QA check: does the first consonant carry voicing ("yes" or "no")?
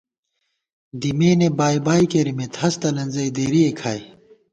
yes